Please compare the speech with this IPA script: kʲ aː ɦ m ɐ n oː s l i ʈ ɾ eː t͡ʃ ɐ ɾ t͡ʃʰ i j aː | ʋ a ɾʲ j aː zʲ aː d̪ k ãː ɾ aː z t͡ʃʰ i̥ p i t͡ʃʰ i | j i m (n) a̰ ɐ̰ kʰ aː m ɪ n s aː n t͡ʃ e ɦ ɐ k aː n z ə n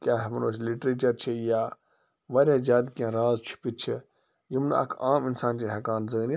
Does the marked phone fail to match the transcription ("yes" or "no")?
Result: no